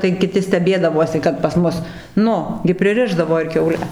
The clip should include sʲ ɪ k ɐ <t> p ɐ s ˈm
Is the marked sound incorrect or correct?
correct